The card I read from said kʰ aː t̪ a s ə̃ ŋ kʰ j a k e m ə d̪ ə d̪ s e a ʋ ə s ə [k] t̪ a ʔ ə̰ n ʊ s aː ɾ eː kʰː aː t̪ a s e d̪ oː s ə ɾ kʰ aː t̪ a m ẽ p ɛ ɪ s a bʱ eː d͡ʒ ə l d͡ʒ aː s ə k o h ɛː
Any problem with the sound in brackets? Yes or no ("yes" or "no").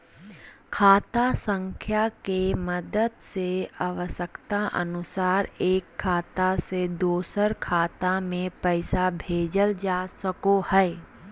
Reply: no